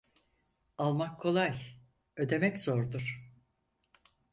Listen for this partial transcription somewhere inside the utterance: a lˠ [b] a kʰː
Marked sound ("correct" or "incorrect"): incorrect